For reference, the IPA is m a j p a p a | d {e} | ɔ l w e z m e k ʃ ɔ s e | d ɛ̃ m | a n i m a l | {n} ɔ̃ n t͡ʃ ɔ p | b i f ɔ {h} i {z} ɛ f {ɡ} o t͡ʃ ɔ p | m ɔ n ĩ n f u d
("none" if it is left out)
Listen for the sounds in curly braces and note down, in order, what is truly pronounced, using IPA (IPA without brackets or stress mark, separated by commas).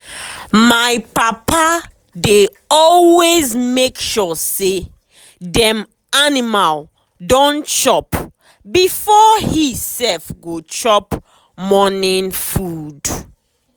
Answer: e, d, h, s, ɡ